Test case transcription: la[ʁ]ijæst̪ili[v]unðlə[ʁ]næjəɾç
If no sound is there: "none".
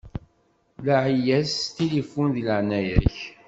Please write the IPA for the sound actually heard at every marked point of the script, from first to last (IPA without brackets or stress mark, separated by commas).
ʕ, f, ʕ